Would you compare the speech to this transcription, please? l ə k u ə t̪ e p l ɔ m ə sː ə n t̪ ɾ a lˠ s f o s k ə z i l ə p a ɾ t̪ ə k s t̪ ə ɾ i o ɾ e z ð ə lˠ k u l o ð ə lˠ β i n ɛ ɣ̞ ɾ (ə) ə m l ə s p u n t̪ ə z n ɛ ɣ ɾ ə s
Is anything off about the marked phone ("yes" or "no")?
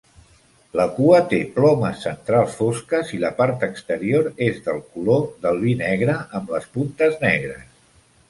no